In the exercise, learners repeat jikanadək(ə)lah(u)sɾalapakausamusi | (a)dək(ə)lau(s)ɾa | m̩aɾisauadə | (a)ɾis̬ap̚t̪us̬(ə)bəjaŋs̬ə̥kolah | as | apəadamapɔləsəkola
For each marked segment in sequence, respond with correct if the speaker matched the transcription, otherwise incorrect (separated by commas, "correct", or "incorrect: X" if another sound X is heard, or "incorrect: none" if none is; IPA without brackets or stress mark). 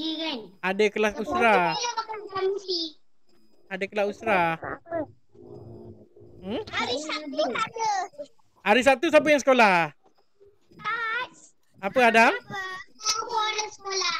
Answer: correct, correct, correct, correct, correct, correct, incorrect: a